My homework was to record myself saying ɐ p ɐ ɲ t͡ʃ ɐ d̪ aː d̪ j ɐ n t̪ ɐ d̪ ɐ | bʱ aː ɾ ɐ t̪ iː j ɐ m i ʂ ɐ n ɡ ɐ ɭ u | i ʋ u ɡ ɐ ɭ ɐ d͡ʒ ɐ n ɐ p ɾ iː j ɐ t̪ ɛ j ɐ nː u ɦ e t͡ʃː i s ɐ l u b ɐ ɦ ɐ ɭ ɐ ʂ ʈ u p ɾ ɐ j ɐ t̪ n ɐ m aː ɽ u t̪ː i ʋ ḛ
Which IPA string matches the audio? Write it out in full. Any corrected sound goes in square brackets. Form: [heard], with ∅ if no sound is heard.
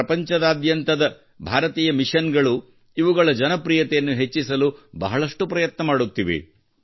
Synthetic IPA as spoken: ɐ p ɐ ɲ t͡ʃ ɐ d̪ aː d̪ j ɐ n t̪ ɐ d̪ ɐ | bʱ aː ɾ ɐ t̪ iː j ɐ m i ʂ ɐ n ɡ ɐ ɭ u | i ʋ u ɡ ɐ ɭ ɐ d͡ʒ ɐ n ɐ p ɾ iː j ɐ t̪ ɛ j ɐ nː u ɦ e t͡ʃː i s ɐ l u b ɐ ɦ ɐ ɭ ɐ ʂ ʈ u p ɾ ɐ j ɐ t̪ n ɐ m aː ɽ u t̪ː i ʋ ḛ